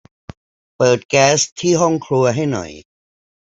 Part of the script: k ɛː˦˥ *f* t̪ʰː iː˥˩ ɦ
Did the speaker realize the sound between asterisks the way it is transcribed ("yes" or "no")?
no